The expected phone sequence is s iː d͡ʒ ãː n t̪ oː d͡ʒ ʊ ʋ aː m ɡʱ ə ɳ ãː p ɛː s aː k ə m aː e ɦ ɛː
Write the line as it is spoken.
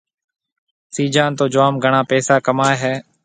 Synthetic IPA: s iː d͡ʒ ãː n t̪ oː d͡ʒ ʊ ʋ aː m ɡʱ ə ɳ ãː p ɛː s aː k ə m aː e ɦ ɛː